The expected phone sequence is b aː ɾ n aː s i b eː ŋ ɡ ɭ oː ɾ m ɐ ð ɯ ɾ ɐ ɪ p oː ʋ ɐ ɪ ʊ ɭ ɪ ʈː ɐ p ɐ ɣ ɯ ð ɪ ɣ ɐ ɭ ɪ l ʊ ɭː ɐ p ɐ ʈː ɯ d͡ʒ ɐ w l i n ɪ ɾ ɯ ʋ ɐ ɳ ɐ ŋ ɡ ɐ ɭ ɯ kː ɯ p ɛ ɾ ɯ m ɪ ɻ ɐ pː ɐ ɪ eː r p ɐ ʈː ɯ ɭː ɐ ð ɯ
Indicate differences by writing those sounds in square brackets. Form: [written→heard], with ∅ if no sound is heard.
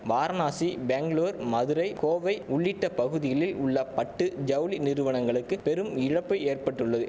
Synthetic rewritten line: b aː ɾ n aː s i b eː ŋ ɡ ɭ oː ɾ m ɐ ð ɯ ɾ ɐ ɪ [p→k] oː ʋ ɐ ɪ ʊ [ɭ→ɭː] ɪ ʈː ɐ p ɐ ɣ ɯ ð ɪ ɣ ɐ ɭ ɪ l ʊ ɭː ɐ p ɐ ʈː ɯ d͡ʒ ɐ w l i n ɪ ɾ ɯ ʋ ɐ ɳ ɐ ŋ ɡ ɐ ɭ ɯ kː ɯ p ɛ ɾ ɯ m ɪ ɻ ɐ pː ɐ ɪ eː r p ɐ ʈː ɯ ɭː ɐ ð ɯ